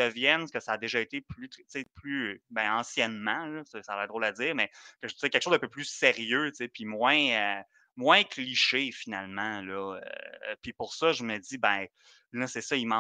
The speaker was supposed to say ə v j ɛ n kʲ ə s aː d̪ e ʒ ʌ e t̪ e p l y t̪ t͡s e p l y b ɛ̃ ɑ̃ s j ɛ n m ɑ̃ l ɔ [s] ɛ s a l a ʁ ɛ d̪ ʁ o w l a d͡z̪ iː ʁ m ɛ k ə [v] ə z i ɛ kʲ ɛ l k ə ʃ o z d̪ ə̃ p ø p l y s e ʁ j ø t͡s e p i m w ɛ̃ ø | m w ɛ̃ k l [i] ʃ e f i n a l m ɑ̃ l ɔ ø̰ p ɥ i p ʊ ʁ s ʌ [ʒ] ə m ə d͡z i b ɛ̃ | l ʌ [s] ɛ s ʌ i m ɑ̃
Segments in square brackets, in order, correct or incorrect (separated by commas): correct, incorrect, correct, correct, correct